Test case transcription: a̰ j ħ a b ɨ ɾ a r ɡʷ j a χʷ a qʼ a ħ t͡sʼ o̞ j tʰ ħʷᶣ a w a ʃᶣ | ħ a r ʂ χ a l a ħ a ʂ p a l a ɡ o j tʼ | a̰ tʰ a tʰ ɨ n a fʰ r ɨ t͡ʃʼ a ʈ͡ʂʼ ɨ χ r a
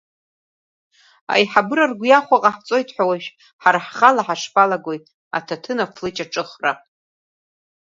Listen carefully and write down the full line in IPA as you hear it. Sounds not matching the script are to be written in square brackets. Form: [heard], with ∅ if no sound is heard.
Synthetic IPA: a̰ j ħ a b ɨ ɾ a r ɡʷ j a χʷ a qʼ a ħ t͡sʼ o̞ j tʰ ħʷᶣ a w a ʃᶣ | ħ a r [ħ] χ a l a ħ a ʂ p a l a ɡ o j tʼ | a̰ tʰ a tʰ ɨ n a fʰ [l] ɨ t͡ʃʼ a ʈ͡ʂʼ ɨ χ r a